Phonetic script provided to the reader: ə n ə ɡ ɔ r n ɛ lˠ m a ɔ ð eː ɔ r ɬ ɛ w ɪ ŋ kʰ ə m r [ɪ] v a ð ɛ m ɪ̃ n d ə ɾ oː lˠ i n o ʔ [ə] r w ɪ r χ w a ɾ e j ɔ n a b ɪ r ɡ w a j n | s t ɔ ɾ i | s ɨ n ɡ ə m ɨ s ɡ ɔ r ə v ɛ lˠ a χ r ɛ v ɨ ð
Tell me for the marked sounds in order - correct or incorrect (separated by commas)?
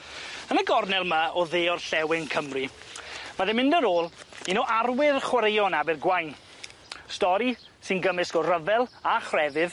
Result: incorrect, incorrect